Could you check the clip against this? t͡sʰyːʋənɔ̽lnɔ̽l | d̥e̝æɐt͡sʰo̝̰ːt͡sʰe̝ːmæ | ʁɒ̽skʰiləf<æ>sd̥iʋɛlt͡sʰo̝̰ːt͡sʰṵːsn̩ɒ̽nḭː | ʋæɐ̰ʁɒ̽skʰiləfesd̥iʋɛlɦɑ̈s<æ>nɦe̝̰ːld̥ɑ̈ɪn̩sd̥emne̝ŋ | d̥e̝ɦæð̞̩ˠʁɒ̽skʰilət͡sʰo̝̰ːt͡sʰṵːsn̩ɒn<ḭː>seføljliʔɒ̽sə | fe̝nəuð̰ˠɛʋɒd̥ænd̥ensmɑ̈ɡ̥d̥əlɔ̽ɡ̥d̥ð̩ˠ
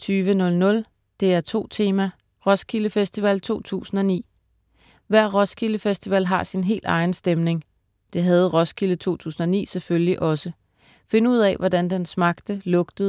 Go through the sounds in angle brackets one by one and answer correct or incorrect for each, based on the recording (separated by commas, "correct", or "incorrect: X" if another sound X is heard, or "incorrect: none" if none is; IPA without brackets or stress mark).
incorrect: e, incorrect: i, correct